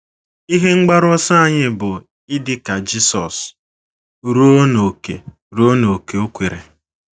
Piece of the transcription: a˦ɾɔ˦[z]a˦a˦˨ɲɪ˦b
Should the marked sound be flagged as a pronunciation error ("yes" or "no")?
yes